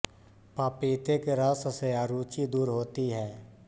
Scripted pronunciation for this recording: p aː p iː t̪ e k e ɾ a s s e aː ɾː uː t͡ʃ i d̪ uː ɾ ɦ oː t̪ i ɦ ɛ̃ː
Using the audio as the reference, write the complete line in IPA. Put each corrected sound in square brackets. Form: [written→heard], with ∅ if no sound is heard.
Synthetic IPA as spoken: p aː p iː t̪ e k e ɾ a s s e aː [ɾː→ɾ] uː t͡ʃ i d̪ uː ɾ ɦ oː t̪ i ɦ [ɛ̃ː→ɛː]

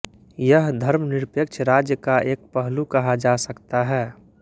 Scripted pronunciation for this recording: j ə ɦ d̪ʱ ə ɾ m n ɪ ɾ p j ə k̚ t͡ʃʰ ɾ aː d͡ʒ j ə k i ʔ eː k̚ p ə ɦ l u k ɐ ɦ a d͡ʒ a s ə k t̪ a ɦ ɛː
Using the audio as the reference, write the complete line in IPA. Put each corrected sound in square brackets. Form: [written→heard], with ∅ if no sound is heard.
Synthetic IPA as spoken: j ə ɦ d̪ʱ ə ɾ m n ɪ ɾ p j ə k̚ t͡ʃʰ ɾ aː d͡ʒ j ə k [i→a] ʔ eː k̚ p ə ɦ l u k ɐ ɦ a d͡ʒ a s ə k t̪ a ɦ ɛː

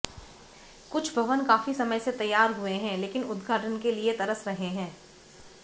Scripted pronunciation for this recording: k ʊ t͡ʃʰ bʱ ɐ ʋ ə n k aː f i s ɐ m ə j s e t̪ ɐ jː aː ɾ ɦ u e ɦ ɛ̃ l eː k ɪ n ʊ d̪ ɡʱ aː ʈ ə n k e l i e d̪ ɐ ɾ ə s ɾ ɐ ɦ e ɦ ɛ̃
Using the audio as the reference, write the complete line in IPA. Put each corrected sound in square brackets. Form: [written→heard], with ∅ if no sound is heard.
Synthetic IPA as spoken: k ʊ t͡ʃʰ bʱ ɐ ʋ ə n k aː f i s ɐ m ə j s e t̪ ɐ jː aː ɾ ɦ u e ɦ ɛ̃ l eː k ɪ n ʊ d̪ ɡʱ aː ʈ ə n k e l i e [d̪→t̪] ɐ ɾ ə s ɾ ɐ ɦ e ɦ [ɛ̃→ɛ̃ː]

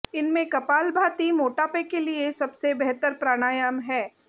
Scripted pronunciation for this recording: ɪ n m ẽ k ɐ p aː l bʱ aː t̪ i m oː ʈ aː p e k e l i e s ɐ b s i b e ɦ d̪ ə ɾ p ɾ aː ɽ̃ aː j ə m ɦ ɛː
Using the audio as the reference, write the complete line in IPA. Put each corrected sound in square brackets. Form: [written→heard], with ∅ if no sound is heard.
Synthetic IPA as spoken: ɪ n m ẽ k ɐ p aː l bʱ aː t̪ i m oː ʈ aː p e k e l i e s ɐ b s [i→e] b [e→ɛ] ɦ [d̪→t̪] ə ɾ p ɾ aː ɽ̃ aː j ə m ɦ ɛː

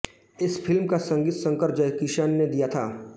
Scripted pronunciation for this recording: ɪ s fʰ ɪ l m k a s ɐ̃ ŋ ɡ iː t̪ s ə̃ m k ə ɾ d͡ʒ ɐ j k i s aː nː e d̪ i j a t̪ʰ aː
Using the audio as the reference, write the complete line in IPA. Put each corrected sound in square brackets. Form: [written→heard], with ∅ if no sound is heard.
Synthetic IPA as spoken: ɪ s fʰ ɪ l m k a s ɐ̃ ŋ ɡ iː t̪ s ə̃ [m→ŋ] k ə ɾ d͡ʒ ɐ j k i [s→ʃ] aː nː e d̪ i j a t̪ʰ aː

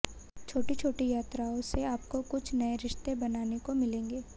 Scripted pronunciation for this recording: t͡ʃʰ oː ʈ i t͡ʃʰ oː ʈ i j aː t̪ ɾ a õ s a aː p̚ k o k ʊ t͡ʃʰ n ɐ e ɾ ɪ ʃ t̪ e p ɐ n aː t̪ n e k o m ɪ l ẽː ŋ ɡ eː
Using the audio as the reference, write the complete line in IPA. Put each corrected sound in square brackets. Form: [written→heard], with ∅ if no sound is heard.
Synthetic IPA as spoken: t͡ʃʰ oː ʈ i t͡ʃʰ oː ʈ i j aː t̪ ɾ a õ s [a→e] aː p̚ k o k ʊ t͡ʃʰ n ɐ e ɾ ɪ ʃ t̪ e [p→b] ɐ n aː [t̪→∅] n e k o m ɪ l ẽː ŋ ɡ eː

